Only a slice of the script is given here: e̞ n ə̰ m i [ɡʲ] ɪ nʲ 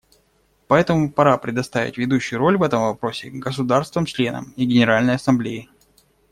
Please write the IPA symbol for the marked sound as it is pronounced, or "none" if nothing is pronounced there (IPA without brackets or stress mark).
ɡʲ